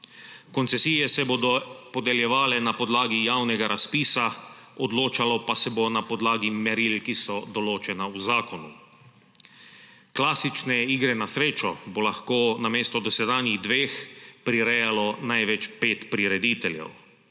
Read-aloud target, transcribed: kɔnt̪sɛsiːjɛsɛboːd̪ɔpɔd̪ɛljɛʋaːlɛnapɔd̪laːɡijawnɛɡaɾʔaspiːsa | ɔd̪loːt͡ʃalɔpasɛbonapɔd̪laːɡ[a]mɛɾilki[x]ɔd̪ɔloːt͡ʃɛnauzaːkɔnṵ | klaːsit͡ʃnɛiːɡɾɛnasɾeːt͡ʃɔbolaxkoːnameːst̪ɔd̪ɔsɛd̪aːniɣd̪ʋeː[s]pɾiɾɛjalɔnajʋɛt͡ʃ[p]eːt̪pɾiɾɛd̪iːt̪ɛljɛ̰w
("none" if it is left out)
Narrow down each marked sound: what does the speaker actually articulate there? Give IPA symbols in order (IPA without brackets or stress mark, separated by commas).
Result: i, s, x, p